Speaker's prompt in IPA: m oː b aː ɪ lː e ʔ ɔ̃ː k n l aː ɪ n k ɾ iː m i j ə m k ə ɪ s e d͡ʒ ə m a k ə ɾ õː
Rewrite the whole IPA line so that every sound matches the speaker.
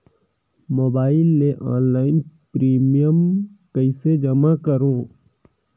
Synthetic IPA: m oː b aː ɪ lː e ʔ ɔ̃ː n l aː ɪ n p ɾ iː m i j ə m k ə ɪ s e d͡ʒ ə m a k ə ɾ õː